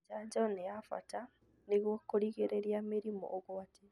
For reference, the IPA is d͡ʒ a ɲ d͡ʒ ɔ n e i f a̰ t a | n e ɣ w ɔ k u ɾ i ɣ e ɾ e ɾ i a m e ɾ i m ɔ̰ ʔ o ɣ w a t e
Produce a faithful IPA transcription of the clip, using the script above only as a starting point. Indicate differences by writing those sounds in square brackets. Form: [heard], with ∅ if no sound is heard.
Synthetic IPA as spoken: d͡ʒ a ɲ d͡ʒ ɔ n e [a] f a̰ t a | n e ɣ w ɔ k [o] ɾ i ɣ e ɾ e ɾ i a m e ɾ i m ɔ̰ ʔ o ɣ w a t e